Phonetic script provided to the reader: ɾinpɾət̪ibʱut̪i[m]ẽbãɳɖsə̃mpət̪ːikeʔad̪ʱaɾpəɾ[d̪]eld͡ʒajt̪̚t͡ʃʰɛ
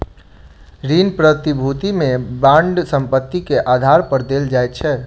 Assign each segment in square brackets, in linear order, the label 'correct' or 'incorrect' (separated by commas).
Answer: correct, correct